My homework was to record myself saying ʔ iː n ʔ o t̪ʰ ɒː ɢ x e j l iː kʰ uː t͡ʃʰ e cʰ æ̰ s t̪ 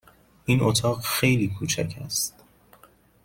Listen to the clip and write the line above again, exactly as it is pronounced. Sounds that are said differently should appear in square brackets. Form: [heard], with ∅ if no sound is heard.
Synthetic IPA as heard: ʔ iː n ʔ o t̪ʰ ɒː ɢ x e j l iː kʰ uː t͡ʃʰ [æ] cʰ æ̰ s t̪